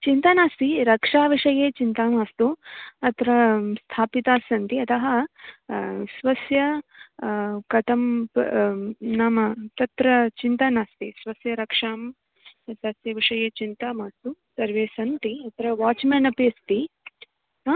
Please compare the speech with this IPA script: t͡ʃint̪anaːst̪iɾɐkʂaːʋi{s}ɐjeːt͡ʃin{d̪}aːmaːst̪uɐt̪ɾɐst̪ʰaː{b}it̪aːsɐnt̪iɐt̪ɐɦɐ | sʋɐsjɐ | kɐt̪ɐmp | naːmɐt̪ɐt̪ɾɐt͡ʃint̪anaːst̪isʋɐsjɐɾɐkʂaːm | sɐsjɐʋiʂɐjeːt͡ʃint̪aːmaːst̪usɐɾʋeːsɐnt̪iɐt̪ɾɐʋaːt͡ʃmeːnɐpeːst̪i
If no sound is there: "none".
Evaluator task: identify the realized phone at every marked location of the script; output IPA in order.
ʂ, t̪, p

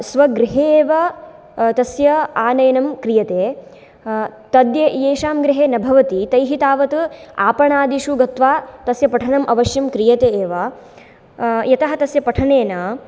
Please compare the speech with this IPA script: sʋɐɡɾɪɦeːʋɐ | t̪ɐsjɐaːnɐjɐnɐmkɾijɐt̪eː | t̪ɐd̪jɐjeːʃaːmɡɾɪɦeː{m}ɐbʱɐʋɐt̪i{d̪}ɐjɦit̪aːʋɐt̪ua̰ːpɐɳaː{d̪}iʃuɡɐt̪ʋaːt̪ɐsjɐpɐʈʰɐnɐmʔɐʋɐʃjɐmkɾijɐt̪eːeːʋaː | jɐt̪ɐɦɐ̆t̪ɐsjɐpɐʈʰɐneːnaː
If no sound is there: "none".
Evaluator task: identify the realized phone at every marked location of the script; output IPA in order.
n, t̪, d̪

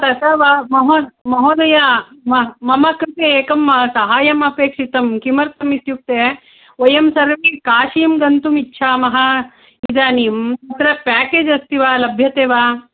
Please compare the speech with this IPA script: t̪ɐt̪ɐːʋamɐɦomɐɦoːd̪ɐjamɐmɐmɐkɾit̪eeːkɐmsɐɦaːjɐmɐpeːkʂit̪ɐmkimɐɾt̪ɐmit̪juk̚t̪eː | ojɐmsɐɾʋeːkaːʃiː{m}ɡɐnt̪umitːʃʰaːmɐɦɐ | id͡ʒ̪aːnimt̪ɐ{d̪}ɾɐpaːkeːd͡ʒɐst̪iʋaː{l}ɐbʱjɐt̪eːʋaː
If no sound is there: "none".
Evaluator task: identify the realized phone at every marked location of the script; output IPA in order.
m, t̪, l

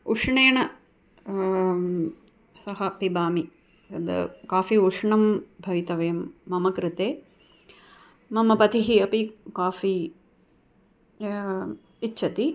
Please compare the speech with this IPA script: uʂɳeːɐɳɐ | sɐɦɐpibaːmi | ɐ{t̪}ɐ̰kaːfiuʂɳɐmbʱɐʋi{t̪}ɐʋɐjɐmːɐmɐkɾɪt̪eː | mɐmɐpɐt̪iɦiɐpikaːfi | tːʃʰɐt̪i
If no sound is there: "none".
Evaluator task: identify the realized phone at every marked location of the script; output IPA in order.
d̪, t̪

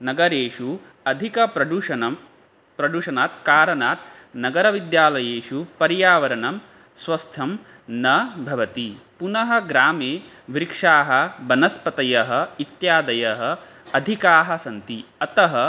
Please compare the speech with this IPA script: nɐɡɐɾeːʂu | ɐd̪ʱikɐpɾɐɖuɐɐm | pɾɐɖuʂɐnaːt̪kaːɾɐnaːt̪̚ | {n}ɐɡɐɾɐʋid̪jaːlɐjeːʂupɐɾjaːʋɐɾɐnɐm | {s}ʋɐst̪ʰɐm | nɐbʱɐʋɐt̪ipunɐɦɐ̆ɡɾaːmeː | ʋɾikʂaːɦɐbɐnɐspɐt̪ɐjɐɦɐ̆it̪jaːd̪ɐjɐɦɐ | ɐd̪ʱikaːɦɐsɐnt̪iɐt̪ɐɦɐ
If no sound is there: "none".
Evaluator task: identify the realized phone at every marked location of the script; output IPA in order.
n, s

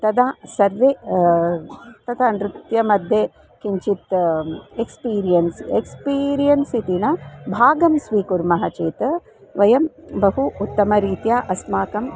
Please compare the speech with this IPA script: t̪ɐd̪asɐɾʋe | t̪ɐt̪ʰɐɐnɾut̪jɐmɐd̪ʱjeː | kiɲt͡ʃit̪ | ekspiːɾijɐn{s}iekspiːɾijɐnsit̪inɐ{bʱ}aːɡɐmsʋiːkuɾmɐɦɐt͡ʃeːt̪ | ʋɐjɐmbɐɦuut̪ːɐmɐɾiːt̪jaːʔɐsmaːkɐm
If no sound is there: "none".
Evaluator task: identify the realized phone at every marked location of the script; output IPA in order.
s, bʱ

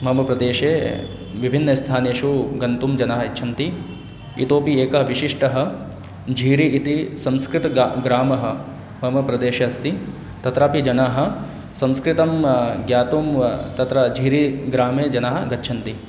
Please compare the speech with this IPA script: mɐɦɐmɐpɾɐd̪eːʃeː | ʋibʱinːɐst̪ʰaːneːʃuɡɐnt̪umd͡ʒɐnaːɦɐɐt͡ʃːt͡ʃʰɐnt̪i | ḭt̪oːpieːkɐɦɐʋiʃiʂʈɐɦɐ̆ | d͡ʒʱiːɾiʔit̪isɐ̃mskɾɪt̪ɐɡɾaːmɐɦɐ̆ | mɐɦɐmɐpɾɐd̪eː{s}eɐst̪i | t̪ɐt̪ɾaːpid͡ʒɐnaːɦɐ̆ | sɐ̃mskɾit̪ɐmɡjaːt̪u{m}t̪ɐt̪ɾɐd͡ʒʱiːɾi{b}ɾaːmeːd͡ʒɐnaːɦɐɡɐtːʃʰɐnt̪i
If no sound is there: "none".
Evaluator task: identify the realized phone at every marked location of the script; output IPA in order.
ʃ, m, ɡ

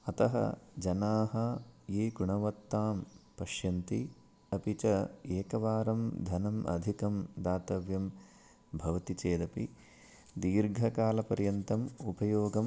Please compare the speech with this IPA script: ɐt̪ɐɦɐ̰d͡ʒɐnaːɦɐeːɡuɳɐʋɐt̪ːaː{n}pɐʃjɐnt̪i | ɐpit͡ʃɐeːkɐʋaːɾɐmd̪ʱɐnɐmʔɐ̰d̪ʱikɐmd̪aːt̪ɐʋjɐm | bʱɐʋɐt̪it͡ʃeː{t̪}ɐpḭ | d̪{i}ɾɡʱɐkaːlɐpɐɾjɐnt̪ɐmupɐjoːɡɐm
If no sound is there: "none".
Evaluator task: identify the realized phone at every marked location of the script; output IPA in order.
m, d̪, iː

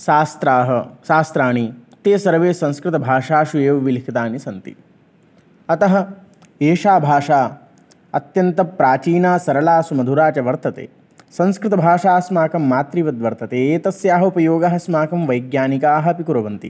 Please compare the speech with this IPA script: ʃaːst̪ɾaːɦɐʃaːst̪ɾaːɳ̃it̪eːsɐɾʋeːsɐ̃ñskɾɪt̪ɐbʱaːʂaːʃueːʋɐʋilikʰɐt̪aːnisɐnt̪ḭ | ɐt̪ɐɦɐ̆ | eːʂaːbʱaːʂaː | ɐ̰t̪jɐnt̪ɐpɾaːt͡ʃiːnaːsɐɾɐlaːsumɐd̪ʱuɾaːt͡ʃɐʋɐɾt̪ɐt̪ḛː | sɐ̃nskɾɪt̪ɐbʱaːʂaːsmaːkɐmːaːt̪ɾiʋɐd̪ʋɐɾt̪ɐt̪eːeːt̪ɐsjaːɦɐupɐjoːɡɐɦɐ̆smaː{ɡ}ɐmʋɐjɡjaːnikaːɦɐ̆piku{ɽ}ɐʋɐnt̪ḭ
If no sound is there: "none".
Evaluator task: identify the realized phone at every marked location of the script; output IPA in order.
k, ɾ

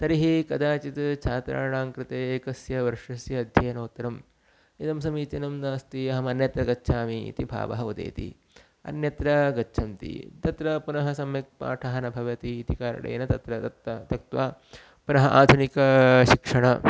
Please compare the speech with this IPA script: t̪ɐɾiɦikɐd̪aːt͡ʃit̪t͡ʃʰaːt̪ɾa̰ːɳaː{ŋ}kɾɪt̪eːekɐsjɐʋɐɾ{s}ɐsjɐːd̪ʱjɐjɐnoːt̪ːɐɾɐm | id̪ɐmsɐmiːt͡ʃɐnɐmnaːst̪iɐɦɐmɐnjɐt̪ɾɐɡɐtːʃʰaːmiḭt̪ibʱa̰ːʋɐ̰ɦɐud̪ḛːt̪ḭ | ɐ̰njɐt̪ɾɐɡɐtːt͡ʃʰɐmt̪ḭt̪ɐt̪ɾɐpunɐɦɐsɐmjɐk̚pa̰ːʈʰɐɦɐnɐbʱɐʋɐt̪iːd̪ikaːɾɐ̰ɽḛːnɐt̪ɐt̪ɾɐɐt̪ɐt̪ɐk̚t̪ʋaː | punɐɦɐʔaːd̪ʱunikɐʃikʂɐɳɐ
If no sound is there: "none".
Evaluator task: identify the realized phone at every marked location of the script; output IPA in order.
ŋ, ʂ

